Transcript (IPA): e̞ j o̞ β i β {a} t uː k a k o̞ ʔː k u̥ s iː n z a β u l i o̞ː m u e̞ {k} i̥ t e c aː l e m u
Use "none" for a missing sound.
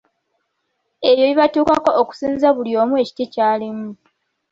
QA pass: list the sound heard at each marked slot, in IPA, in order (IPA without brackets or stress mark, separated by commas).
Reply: a, c